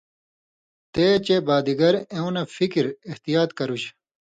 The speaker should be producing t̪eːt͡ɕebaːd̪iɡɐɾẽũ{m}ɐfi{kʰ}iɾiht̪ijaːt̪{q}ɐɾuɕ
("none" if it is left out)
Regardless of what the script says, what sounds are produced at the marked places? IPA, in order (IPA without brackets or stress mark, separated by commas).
n, k, k